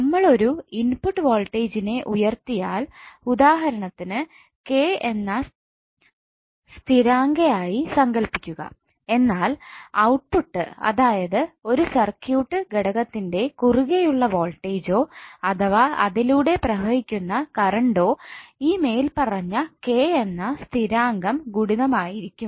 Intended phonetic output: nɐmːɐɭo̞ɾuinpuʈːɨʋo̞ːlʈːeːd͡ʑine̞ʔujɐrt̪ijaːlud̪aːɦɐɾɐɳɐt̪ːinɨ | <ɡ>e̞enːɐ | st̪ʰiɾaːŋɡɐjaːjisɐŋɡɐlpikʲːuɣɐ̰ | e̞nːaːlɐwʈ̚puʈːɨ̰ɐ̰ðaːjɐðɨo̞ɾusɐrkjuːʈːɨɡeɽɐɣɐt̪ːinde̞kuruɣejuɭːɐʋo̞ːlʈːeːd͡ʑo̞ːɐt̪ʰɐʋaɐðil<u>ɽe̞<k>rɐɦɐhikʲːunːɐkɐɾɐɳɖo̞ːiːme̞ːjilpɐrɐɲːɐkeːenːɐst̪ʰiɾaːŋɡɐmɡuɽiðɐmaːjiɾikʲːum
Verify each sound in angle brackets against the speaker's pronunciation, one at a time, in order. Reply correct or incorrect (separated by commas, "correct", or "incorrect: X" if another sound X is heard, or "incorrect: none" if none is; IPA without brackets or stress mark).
incorrect: k, incorrect: uː, incorrect: p